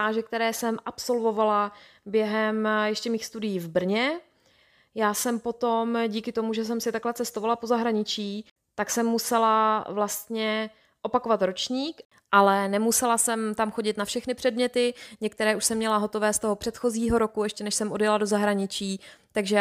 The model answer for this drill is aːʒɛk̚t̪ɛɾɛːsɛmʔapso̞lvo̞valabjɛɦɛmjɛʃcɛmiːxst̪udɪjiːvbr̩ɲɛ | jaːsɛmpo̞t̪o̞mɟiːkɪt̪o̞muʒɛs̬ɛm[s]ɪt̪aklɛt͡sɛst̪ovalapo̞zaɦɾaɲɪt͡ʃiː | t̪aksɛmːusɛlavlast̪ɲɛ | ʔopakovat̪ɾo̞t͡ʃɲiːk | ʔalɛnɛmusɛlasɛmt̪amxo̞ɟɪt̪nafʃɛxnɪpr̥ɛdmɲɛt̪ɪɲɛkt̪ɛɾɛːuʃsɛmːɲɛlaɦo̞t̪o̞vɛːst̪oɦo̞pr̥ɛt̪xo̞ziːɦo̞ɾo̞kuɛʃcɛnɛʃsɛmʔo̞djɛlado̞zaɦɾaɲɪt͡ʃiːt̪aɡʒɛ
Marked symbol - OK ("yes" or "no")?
yes